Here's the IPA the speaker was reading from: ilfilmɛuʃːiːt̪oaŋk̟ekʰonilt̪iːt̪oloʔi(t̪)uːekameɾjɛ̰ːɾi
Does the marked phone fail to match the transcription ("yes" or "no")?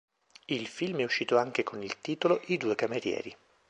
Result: yes